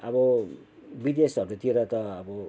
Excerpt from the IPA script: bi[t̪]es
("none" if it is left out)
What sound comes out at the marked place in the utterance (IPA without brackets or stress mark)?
d̪